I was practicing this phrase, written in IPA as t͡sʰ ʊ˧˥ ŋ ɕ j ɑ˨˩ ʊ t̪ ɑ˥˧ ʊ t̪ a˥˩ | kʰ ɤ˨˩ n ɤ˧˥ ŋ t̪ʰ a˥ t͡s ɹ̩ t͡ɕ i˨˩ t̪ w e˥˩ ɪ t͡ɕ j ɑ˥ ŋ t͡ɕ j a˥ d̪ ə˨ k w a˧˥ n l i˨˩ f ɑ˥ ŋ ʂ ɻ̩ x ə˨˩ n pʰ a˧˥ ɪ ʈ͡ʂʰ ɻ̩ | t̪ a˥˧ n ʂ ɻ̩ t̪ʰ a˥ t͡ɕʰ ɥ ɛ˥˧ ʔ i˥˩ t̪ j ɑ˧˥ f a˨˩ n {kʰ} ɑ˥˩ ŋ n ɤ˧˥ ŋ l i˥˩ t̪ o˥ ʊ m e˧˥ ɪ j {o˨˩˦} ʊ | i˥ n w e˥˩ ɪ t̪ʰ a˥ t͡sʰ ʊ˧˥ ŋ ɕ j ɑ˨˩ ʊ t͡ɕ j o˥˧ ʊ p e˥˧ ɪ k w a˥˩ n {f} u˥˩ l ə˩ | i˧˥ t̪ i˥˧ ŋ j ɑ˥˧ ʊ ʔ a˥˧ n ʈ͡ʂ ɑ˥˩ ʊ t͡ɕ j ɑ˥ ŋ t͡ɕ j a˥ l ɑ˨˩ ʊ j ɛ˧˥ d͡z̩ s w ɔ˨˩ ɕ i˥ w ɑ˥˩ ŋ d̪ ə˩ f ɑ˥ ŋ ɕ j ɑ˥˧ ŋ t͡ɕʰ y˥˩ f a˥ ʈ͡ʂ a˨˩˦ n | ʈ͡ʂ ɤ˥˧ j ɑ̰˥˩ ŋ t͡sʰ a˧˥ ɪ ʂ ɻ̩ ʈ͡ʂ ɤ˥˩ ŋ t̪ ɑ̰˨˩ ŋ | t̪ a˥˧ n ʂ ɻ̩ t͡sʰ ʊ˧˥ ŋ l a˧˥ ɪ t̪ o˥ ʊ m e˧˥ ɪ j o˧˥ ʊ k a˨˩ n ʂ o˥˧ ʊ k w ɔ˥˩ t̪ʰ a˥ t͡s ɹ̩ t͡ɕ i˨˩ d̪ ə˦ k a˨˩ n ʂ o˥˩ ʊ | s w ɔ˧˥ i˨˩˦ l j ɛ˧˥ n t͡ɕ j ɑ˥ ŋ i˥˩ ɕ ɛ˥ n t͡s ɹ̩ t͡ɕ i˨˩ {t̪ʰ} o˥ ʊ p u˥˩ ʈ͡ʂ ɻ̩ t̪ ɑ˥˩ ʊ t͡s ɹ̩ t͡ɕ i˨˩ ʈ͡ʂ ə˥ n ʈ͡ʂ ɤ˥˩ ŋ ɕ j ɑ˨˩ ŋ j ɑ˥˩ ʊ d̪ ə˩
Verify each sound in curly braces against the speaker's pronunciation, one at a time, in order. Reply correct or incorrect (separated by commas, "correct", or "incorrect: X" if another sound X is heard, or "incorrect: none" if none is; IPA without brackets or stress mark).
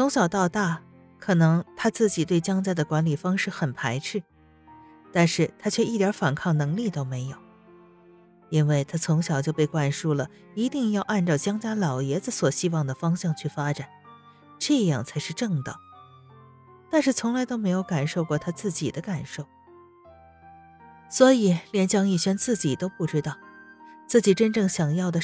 correct, correct, incorrect: ʂ, incorrect: t̪